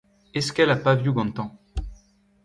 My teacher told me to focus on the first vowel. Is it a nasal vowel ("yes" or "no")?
no